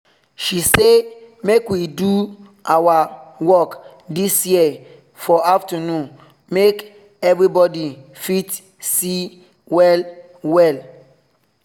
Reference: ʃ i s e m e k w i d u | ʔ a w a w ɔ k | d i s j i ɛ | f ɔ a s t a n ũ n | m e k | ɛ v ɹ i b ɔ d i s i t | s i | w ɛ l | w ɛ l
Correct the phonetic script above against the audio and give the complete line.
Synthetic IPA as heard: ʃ i s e m e k w i d u | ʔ a w a w ɔ k | d i s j i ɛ | f ɔ a f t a n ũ n | m e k | ɛ v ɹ i b ɔ d i f i t | s i | w ɛ l | w ɛ l